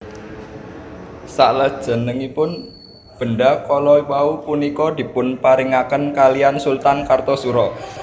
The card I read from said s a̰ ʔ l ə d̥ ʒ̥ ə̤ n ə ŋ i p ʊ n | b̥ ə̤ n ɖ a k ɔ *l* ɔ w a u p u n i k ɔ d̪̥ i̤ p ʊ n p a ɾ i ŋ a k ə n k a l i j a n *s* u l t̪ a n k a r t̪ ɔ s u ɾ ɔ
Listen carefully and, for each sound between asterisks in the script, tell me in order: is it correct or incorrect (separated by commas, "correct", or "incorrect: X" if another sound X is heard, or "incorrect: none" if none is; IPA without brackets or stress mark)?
correct, correct